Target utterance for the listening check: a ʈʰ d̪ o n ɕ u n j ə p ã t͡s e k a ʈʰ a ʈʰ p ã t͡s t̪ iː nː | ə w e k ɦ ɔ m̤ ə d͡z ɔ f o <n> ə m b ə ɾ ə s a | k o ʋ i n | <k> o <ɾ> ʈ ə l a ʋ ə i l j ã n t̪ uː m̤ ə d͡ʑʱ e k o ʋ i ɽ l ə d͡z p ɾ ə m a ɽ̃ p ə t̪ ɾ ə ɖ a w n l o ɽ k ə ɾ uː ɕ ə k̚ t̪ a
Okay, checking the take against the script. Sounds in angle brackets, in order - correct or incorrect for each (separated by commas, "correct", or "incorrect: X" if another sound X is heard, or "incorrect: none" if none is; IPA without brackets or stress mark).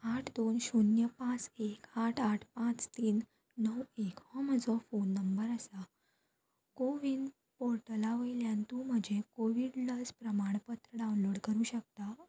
incorrect: nː, incorrect: p, correct